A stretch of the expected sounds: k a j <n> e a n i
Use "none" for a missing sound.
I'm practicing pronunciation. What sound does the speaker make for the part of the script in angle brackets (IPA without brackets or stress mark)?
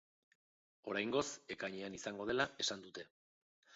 ɲ